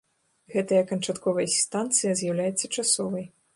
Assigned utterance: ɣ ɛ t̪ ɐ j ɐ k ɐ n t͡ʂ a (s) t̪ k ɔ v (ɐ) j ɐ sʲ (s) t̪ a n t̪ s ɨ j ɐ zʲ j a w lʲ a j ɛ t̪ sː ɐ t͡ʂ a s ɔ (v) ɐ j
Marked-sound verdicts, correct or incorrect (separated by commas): incorrect, correct, correct, correct